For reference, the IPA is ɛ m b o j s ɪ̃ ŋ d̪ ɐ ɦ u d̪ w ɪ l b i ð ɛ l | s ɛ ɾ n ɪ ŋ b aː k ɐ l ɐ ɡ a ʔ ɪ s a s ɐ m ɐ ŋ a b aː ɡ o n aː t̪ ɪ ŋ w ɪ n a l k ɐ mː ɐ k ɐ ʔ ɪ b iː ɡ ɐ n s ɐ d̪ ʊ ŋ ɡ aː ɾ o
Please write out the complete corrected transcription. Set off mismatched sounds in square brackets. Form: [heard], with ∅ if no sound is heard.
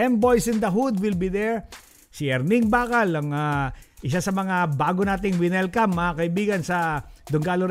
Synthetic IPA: ɛ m b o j s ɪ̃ [n] d̪ ɐ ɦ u d̪ w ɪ l b i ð ɛ [ɹ] | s ɛ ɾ n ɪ ŋ b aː k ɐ l ɐ [ŋ] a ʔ ɪ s a s ɐ m ɐ ŋ a b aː ɡ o n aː t̪ ɪ ŋ w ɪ n [ɛ] l k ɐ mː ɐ k ɐ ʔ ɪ b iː ɡ ɐ n s ɐ d̪ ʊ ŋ ɡ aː [l] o